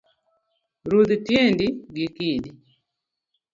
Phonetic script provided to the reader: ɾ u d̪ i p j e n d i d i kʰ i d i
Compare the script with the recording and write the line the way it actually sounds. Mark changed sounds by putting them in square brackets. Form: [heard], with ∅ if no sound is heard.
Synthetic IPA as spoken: ɾ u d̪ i [t] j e n d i [ɡ] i [k] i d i